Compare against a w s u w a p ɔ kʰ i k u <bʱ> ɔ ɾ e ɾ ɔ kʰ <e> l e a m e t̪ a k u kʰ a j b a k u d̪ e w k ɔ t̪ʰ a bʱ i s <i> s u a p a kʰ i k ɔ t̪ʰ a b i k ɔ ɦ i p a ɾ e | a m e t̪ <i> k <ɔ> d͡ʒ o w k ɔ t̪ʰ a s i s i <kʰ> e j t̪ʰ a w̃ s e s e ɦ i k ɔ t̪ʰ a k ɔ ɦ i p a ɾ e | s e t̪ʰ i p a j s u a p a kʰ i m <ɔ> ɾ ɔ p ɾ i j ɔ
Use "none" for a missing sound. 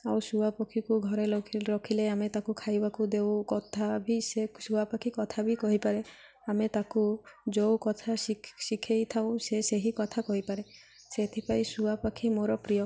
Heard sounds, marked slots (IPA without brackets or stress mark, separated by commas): ɡʱ, i, e, a, u, kʰ, o